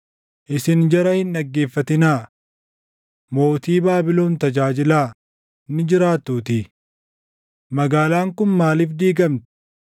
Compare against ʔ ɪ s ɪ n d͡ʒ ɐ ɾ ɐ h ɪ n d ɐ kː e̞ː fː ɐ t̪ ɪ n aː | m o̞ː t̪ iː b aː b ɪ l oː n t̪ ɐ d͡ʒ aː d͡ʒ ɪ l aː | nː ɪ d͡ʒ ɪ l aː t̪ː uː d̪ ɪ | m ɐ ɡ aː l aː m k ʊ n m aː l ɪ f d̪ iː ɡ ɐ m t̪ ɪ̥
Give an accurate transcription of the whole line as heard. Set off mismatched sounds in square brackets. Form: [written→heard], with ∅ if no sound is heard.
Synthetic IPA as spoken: ʔ ɪ s ɪ n d͡ʒ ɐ ɾ ɐ h ɪ n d ɐ [kː→ɡː] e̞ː fː ɐ t̪ ɪ n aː | m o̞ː t̪ iː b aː b ɪ l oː n t̪ ɐ d͡ʒ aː d͡ʒ ɪ l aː | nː ɪ d͡ʒ ɪ [l→ɾ] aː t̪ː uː [d̪→t̪] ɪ | m ɐ ɡ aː l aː [m→ŋ] k ʊ n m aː l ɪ f d̪ iː ɡ ɐ m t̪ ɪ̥

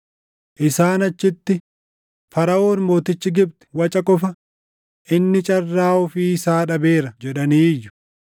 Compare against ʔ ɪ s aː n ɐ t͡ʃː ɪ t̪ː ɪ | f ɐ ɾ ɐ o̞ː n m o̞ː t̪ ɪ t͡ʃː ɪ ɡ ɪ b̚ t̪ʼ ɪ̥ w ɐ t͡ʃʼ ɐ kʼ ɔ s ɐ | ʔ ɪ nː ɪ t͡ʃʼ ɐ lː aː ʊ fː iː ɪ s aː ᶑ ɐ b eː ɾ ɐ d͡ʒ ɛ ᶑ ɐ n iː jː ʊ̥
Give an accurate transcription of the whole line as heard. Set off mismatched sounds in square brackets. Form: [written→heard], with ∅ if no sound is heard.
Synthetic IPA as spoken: ʔ ɪ s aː n ɐ t͡ʃː ɪ t̪ː ɪ | f ɐ ɾ ɐ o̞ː n m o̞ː t̪ ɪ t͡ʃː ɪ ɡ ɪ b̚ [t̪ʼ→t̪] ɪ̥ w ɐ t͡ʃʼ ɐ kʼ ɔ [s→f] ɐ | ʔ ɪ nː ɪ t͡ʃʼ ɐ [lː→rː] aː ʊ [fː→f] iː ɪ s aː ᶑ ɐ b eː ɾ ɐ d͡ʒ ɛ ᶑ ɐ n iː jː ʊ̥

